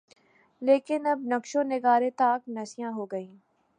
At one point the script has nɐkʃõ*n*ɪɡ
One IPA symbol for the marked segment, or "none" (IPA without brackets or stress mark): n